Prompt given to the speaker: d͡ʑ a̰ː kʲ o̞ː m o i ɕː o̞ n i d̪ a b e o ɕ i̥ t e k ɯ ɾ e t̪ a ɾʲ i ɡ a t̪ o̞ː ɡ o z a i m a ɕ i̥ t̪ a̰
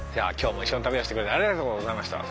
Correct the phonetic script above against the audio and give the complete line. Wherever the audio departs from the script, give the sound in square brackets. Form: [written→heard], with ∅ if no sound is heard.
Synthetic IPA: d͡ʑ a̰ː kʲ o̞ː m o i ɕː o̞ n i [d̪→t̪] a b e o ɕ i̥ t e k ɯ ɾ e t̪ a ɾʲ i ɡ a t̪ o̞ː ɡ o z a i m a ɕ i̥ t̪ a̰